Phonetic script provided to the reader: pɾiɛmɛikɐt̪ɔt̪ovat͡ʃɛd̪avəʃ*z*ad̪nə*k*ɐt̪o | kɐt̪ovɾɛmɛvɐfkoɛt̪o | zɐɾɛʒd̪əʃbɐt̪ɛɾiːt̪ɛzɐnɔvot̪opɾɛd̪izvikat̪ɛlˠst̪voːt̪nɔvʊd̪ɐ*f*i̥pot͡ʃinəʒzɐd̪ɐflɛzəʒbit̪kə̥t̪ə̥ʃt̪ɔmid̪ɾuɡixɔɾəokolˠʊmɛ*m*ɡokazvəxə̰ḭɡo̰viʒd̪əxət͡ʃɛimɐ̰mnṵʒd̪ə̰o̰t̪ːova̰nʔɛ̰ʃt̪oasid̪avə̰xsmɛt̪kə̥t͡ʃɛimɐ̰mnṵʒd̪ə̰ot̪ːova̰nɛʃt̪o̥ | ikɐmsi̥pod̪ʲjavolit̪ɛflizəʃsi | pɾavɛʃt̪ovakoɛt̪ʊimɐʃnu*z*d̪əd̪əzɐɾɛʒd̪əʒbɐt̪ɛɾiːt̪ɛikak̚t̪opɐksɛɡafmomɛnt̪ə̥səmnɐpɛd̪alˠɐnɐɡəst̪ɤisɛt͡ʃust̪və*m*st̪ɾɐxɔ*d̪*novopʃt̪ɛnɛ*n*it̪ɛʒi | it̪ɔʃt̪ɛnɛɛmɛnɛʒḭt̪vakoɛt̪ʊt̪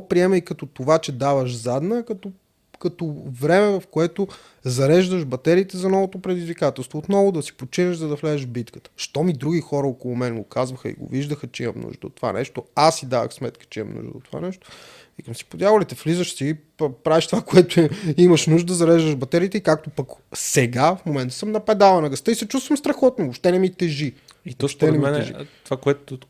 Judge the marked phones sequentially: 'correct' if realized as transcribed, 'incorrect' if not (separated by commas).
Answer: correct, correct, incorrect, incorrect, incorrect, correct, incorrect, incorrect